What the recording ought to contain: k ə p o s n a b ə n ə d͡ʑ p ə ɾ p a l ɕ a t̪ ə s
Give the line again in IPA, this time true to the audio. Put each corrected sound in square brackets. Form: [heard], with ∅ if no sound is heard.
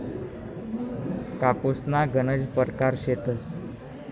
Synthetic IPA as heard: k [a] p o s n a [ɡ] ə n ə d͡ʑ p ə ɾ [k] a [ɾ] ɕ [e] t̪ ə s